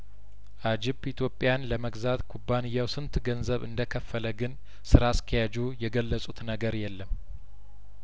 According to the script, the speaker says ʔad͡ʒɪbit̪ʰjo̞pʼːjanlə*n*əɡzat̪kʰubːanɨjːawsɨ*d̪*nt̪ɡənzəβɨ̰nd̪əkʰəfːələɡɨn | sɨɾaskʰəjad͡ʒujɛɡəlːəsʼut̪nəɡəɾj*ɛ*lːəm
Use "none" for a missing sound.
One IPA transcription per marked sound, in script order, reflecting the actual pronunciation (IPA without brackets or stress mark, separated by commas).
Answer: m, none, ɛ